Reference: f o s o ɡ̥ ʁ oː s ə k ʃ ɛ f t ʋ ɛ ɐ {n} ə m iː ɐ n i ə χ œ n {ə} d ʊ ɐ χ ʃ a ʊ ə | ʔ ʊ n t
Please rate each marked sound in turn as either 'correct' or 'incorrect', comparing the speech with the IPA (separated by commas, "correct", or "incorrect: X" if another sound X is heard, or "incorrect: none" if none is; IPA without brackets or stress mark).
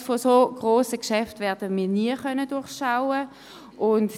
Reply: incorrect: d, correct